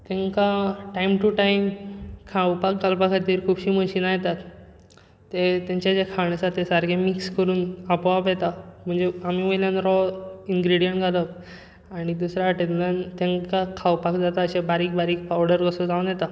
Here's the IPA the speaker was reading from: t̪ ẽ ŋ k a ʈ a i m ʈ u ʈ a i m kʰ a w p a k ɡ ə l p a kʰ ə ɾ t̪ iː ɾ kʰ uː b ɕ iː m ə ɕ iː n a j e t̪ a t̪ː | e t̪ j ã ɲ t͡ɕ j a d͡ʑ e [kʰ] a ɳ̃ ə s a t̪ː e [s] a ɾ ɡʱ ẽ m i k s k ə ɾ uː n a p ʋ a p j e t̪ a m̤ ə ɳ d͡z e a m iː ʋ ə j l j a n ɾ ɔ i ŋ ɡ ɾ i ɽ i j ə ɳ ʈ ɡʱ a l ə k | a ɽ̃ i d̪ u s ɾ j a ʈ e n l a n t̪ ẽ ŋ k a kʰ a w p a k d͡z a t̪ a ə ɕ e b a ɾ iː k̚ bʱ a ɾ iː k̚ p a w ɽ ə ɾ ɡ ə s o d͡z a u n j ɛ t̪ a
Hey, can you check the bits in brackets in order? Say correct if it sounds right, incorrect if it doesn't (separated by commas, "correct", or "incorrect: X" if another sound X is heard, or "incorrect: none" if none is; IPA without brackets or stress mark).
correct, correct